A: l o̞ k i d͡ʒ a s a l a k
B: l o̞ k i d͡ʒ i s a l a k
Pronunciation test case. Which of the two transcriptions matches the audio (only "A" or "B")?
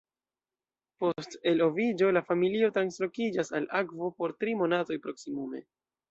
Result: A